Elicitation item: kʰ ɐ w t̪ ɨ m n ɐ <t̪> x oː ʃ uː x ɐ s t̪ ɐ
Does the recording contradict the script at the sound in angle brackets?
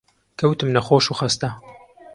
yes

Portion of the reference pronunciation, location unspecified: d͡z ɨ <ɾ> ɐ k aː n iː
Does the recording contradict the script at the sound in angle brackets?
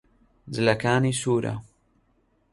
yes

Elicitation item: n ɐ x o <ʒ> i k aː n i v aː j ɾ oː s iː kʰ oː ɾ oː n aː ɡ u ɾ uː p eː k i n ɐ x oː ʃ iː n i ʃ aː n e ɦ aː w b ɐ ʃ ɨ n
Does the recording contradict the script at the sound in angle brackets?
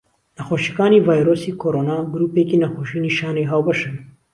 yes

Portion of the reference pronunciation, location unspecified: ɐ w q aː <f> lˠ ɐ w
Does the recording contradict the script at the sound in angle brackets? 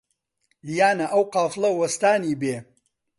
no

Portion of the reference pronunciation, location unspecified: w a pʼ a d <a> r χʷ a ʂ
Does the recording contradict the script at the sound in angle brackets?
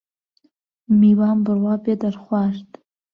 no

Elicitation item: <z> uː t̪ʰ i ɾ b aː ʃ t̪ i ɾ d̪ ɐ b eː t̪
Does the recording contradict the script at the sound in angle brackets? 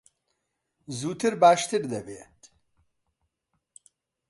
no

